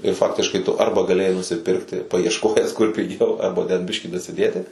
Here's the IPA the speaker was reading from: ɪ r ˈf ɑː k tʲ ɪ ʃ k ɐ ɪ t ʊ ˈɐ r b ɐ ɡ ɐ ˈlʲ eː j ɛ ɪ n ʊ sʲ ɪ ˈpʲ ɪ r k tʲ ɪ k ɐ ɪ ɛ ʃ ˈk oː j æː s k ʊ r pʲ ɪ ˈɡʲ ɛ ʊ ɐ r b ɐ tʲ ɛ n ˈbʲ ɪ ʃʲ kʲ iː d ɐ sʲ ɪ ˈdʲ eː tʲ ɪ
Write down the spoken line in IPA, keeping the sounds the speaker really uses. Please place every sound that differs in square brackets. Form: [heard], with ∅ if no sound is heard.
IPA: ɪ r ˈf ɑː k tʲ ɪ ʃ k ɐ ɪ t ʊ ˈɐ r b ɐ ɡ ɐ ˈlʲ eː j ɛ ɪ n ʊ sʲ ɪ ˈpʲ ɪ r k tʲ ɪ [p] ɐ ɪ ɛ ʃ ˈk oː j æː s k ʊ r pʲ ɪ ˈɡʲ ɛ ʊ ɐ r b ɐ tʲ ɛ n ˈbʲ ɪ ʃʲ kʲ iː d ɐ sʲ ɪ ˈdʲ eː tʲ ɪ